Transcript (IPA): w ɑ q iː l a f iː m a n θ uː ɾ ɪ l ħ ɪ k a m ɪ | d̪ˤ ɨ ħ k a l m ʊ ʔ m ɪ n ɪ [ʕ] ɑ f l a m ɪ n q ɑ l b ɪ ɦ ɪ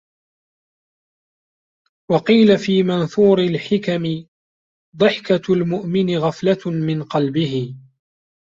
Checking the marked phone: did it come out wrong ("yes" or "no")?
yes